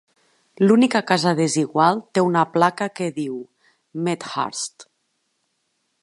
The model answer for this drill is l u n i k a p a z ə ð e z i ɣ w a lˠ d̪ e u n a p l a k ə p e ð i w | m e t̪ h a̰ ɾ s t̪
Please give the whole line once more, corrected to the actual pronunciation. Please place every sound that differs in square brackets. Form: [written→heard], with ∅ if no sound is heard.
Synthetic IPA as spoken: l u n i k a [p→k] a z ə ð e z i ɣ w a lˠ [d̪→t̪] e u n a p l a k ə [p→k] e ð i w | m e t̪ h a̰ ɾ s t̪